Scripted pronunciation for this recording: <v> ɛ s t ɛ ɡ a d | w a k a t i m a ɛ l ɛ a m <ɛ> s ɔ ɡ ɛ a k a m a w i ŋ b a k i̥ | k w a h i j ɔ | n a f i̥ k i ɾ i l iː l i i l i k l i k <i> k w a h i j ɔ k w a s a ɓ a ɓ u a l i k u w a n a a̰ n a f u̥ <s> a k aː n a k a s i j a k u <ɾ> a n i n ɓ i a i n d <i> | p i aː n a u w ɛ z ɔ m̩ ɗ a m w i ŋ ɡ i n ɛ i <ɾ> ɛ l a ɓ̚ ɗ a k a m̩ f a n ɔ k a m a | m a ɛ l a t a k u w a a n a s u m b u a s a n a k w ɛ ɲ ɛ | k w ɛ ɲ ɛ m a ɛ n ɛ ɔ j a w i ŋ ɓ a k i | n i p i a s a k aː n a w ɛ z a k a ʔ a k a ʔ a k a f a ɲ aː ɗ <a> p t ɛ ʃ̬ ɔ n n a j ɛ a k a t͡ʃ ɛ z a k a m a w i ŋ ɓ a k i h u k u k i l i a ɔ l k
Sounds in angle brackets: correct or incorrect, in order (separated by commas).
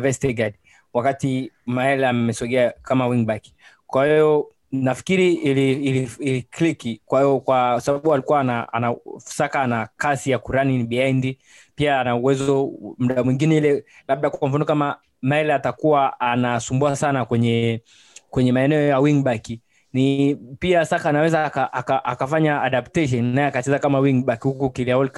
correct, correct, correct, correct, correct, correct, incorrect, correct